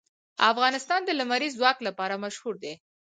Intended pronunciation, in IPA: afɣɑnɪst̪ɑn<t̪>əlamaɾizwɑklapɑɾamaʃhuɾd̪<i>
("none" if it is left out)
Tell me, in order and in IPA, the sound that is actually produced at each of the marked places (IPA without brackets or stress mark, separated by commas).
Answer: d̪, e